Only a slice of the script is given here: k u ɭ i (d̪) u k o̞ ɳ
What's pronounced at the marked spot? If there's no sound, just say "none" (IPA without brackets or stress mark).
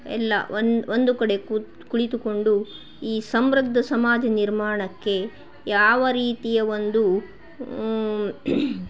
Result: t̪